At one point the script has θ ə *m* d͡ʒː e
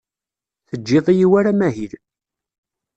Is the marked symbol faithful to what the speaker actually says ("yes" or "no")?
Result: no